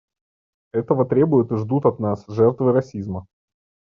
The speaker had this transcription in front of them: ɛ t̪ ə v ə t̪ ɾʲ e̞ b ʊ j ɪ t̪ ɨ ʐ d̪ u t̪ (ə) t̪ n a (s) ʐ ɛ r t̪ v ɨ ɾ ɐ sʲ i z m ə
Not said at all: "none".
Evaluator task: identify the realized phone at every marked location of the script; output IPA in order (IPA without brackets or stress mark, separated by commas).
ɐ, s